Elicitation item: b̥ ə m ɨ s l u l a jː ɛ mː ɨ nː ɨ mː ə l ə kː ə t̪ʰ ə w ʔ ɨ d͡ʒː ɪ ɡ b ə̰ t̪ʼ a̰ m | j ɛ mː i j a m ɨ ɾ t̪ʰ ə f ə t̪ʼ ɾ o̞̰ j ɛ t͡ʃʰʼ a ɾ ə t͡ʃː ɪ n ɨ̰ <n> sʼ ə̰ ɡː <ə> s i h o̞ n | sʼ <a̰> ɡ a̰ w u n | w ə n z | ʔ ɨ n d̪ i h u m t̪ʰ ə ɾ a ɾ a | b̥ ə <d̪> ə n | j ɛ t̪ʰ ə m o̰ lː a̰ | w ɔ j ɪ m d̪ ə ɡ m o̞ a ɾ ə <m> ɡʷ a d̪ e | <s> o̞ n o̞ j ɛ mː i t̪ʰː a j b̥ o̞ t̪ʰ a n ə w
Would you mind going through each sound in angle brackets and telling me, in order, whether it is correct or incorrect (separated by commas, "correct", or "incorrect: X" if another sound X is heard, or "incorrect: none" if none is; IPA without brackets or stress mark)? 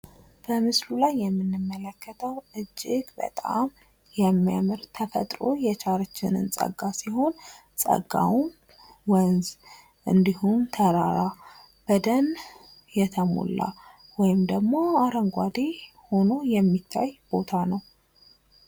correct, incorrect: a, incorrect: ə̰, correct, incorrect: ŋ, incorrect: h